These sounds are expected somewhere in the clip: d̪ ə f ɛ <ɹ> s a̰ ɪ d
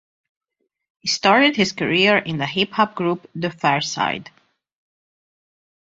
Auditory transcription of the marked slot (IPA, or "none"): ɹ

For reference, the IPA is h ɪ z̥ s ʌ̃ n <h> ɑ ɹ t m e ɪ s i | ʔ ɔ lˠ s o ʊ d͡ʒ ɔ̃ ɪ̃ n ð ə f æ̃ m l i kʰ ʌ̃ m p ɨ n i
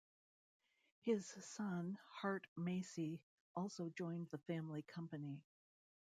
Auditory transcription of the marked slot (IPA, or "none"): h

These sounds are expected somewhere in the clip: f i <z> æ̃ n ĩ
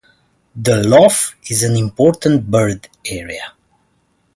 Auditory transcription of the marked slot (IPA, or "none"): z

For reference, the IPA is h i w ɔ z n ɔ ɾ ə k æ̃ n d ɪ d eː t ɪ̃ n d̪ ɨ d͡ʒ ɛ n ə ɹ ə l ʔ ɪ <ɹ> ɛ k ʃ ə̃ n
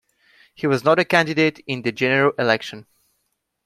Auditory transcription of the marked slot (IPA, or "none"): l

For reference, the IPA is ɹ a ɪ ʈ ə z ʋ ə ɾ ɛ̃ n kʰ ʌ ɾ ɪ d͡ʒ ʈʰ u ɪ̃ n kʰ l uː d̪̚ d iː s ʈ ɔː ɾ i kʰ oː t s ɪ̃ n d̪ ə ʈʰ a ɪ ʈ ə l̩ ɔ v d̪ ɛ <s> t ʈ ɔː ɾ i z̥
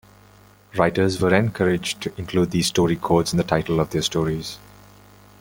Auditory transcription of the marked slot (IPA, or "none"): s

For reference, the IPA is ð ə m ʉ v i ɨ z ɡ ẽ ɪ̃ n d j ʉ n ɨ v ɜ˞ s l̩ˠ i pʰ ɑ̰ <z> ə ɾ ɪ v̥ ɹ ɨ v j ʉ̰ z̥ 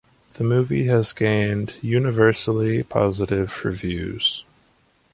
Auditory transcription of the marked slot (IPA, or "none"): z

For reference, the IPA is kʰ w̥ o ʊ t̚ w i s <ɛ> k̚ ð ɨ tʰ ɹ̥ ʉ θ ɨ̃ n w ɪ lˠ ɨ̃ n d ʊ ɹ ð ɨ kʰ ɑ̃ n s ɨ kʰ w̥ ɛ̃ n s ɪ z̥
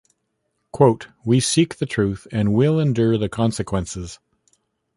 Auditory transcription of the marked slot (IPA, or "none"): i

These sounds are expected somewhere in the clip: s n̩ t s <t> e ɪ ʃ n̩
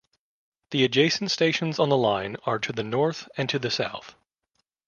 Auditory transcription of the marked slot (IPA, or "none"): t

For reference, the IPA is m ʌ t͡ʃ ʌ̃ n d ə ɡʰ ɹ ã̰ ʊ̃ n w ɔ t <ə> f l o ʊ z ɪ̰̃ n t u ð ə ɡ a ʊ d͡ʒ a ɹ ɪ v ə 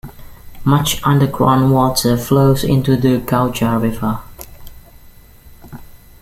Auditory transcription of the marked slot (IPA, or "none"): ə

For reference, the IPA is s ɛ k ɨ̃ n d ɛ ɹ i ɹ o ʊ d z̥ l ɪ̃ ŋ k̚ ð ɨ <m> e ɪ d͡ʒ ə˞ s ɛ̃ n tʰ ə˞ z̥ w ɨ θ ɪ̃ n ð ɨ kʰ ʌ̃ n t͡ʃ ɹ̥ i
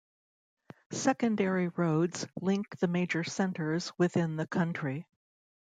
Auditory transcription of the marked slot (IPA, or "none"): m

